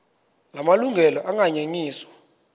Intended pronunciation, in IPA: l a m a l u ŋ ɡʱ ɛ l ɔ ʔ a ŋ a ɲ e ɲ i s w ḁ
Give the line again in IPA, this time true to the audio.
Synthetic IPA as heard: l a m a l u ŋ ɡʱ ɛ l ɔ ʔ a ŋ a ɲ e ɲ iː s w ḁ